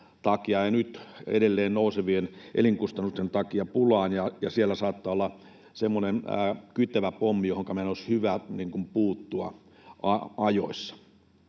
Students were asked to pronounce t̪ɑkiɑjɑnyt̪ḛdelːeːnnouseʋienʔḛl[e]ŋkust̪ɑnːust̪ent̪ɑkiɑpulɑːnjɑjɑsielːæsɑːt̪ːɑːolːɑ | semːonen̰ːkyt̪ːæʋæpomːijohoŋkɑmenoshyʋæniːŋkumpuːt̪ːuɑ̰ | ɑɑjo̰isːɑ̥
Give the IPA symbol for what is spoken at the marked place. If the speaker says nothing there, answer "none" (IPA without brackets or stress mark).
i